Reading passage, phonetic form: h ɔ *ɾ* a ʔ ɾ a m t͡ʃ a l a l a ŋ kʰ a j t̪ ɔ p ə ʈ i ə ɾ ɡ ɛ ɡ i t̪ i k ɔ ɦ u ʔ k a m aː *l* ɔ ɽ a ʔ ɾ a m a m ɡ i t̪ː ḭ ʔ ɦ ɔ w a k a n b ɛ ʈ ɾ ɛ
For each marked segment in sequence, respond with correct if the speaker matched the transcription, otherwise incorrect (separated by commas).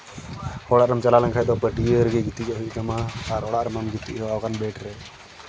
incorrect, incorrect